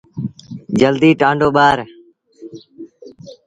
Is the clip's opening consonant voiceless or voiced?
voiced